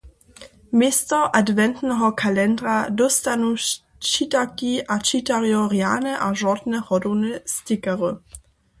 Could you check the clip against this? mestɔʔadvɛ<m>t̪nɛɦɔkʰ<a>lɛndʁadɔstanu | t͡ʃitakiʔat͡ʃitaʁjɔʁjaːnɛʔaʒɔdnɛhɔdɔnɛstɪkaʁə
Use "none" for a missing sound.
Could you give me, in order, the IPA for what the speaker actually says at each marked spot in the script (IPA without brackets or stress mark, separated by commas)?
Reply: n, a